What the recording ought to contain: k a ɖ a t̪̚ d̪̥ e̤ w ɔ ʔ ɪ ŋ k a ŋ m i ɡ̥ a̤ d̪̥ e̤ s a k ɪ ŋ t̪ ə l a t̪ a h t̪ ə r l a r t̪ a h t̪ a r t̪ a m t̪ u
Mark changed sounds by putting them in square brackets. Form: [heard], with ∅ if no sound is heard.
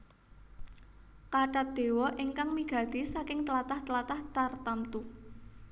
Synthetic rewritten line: k a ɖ a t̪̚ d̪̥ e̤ w ɔ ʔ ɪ ŋ k a ŋ m i ɡ̥ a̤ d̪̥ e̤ s a k ɪ ŋ t̪ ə l a t̪ a h t̪ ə [∅] l a [∅] t̪ a h t̪ a r t̪ a m t̪ u